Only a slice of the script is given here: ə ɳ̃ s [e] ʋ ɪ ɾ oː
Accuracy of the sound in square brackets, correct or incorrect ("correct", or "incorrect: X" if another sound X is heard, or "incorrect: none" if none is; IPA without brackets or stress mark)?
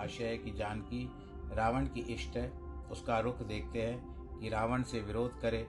correct